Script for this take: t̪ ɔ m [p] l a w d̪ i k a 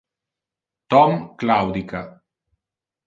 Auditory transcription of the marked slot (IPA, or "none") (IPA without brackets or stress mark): k